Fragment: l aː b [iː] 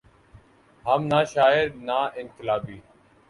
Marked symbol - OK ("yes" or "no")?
yes